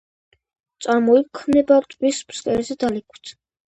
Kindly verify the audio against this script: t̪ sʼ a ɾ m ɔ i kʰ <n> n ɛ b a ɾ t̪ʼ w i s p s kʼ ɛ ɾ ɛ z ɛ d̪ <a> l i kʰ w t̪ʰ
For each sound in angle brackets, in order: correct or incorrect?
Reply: incorrect, correct

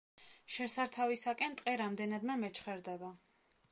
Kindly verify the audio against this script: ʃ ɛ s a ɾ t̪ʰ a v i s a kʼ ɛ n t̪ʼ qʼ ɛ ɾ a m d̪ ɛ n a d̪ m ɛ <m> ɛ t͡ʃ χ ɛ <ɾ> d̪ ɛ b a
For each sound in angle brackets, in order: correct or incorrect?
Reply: correct, correct

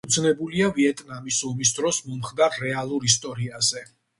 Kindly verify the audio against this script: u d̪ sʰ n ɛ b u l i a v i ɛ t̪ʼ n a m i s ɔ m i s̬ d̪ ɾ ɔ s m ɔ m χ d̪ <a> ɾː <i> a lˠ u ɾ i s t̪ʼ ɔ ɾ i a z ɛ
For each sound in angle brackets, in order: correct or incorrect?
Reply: correct, incorrect

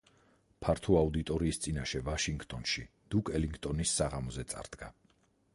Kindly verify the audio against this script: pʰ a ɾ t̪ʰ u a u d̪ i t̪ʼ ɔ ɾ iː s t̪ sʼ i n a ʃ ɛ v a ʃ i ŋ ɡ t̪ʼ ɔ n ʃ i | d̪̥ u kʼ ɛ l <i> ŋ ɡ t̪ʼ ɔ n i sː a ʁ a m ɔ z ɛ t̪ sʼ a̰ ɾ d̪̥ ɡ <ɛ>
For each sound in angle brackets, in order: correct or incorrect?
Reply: correct, incorrect

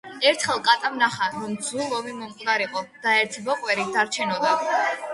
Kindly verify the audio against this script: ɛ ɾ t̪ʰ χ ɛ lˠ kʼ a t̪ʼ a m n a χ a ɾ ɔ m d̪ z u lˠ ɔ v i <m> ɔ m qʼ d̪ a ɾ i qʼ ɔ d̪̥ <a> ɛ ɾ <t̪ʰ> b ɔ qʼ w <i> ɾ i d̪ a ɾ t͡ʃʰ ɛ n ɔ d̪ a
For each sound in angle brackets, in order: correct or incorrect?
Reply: correct, correct, correct, incorrect

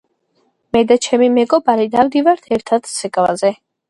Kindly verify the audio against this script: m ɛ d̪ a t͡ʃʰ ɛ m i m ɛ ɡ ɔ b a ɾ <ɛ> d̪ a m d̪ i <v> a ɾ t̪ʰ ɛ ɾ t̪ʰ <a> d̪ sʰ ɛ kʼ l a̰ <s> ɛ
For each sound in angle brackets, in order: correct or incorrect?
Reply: incorrect, correct, correct, incorrect

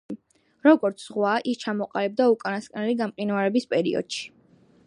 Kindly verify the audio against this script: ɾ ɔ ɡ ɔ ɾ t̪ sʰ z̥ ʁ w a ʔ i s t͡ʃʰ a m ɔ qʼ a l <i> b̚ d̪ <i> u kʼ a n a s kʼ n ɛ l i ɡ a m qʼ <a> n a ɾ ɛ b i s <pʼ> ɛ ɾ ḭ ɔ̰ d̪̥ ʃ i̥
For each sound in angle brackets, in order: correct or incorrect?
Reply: incorrect, incorrect, incorrect, correct

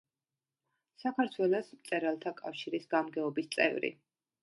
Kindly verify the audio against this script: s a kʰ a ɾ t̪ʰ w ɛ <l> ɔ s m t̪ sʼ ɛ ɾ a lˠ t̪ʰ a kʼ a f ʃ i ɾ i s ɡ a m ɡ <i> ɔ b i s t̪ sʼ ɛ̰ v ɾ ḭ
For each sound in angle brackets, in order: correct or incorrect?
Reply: correct, incorrect

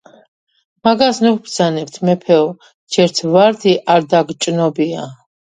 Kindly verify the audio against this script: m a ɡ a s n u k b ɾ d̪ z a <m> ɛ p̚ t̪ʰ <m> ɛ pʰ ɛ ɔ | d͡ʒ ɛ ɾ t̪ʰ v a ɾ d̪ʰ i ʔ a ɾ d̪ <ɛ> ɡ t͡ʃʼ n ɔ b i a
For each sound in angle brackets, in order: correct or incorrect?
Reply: incorrect, correct, incorrect

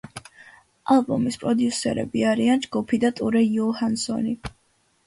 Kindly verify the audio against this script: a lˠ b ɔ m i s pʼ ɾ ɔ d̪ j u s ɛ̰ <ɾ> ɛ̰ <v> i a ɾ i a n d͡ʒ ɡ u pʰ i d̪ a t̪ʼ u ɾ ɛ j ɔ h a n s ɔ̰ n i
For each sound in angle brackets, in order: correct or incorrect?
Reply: correct, incorrect

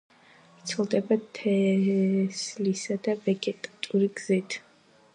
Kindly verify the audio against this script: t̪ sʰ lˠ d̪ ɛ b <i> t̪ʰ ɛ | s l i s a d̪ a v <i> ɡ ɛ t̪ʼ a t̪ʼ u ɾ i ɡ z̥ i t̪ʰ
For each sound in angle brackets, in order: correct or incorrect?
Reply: incorrect, incorrect

